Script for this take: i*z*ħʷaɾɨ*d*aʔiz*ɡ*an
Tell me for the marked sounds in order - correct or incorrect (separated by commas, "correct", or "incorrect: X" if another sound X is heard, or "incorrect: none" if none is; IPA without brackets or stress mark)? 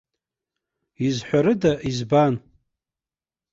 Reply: correct, correct, incorrect: b